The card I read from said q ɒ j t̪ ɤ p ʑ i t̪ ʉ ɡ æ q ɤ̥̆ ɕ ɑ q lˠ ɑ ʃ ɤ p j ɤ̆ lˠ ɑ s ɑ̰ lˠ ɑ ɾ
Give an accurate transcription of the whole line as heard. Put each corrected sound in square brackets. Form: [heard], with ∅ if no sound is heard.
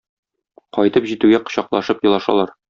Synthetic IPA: q ɒ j t̪ ɤ p ʑ i t̪ ʉ ɡ æ q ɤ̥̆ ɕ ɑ q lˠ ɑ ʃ ɤ p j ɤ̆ lˠ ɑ [ʃ] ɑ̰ lˠ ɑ ɾ